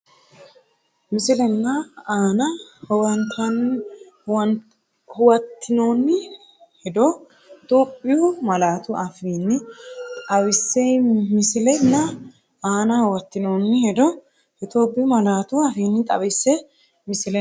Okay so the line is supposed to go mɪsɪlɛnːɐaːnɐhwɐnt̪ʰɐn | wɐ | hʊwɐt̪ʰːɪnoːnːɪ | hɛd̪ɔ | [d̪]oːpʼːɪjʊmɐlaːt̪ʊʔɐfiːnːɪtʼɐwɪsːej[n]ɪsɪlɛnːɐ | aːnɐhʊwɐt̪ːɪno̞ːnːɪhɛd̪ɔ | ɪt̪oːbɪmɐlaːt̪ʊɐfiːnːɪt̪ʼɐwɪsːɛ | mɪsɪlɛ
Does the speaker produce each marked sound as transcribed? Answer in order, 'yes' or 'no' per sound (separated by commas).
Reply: no, no